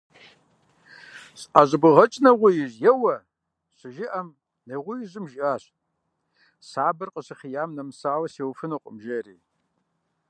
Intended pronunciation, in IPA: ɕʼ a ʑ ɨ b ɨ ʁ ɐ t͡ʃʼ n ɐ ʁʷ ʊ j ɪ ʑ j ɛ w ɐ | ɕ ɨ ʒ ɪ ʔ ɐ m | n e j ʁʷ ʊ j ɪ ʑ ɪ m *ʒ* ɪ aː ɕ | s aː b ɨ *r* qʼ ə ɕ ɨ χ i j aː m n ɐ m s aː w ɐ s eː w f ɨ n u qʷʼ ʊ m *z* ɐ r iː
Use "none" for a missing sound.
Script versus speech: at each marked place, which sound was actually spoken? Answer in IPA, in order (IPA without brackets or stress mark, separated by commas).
ʒ, r, ʒ